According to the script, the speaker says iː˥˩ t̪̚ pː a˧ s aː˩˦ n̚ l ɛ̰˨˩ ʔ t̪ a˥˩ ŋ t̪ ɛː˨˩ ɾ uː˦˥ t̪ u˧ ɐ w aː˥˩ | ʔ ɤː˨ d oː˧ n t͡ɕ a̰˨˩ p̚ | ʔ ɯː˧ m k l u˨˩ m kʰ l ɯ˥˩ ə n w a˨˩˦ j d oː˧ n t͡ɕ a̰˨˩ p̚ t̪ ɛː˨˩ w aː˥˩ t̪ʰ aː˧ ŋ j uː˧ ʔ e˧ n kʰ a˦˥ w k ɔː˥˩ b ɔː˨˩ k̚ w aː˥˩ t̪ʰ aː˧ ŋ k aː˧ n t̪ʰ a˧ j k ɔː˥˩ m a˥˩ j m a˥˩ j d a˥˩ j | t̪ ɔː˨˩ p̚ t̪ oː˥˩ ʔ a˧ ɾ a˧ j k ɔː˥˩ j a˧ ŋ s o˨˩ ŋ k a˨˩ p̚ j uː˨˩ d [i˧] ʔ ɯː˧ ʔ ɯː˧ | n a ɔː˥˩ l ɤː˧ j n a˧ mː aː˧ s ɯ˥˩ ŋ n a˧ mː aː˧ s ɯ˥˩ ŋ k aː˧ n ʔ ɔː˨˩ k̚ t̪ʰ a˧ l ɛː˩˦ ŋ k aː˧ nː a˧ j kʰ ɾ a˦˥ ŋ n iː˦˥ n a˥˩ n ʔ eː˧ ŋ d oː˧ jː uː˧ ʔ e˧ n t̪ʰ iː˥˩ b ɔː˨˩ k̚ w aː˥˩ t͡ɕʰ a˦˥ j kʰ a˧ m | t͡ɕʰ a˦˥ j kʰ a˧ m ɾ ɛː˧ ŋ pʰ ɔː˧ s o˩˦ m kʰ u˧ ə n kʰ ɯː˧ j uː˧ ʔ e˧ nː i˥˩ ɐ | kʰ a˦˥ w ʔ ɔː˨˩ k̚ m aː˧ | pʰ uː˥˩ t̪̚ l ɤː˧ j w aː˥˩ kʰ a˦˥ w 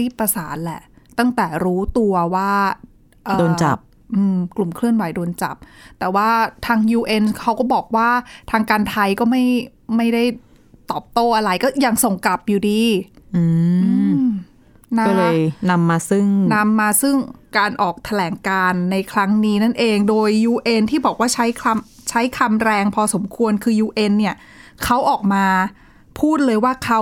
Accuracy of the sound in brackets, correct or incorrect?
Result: incorrect